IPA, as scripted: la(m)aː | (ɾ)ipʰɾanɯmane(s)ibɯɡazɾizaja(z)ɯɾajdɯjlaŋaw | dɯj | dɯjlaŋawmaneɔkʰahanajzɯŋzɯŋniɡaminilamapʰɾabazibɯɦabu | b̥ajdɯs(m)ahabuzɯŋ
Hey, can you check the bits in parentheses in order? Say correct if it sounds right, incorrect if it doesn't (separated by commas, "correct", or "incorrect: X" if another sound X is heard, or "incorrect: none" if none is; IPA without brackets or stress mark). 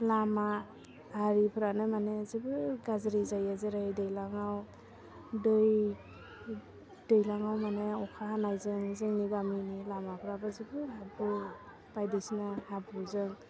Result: correct, correct, incorrect: z, correct, incorrect: n